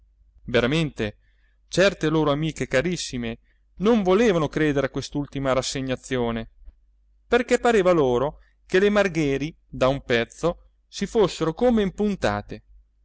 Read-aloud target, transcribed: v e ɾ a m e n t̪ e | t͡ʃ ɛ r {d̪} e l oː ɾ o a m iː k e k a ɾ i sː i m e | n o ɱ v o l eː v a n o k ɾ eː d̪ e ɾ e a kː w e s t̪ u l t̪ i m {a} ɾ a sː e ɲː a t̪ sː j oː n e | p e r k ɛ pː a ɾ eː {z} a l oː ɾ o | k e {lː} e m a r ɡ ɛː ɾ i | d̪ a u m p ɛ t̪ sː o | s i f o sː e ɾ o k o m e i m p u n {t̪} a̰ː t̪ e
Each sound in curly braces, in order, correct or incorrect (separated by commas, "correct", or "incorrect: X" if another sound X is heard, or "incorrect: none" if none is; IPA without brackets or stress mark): incorrect: t̪, correct, incorrect: v, incorrect: l, correct